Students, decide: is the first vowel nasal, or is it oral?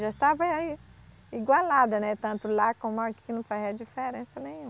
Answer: oral